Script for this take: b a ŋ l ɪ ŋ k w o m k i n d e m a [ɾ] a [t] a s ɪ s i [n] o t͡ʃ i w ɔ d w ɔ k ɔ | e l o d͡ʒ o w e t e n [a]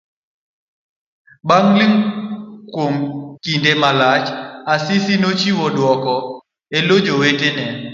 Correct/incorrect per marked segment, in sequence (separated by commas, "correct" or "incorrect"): incorrect, incorrect, correct, incorrect